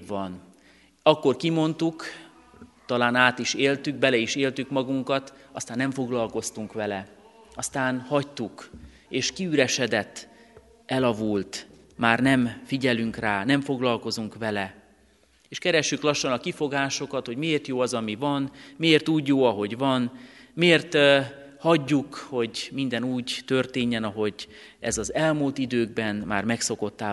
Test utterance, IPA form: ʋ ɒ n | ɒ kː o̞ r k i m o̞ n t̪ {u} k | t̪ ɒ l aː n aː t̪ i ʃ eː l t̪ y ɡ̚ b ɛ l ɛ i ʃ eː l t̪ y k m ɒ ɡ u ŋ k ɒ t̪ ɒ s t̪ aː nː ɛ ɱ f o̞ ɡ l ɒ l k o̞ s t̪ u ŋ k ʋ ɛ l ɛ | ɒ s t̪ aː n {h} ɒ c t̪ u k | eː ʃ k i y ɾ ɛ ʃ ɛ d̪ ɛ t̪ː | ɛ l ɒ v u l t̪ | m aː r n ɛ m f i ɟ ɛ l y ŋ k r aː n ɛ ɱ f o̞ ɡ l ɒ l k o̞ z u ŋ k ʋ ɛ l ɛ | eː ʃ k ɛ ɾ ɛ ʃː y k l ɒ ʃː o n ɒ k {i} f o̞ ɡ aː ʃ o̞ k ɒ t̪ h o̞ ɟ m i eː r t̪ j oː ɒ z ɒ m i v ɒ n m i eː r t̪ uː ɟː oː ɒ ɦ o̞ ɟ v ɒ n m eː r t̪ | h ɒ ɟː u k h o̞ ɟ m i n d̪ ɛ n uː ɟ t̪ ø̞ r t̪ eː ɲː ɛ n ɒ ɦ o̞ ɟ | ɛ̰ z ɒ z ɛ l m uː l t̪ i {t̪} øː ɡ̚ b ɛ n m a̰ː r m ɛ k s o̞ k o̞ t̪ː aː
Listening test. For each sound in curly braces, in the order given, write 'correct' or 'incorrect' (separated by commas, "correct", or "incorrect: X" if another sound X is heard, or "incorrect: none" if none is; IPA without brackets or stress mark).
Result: correct, correct, correct, incorrect: d̪